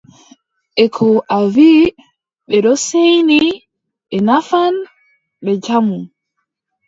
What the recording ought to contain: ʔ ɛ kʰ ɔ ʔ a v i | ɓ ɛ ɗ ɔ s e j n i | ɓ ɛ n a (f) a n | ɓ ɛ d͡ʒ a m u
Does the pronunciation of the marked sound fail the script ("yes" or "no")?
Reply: no